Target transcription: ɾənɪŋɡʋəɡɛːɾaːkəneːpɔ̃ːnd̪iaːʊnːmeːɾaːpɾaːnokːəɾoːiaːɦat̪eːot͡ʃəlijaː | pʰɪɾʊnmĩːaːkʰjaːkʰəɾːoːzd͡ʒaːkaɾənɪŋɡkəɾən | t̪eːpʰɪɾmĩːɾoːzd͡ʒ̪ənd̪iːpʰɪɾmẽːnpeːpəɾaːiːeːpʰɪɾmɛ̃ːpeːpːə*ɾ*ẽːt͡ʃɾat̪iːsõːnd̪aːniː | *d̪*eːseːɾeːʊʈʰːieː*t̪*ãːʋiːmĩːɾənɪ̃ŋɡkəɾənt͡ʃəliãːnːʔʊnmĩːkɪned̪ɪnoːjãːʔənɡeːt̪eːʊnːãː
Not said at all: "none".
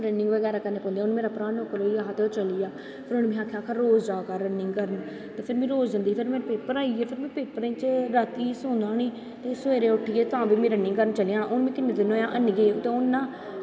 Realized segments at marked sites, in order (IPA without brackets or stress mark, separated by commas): ɾ, t̪, t̪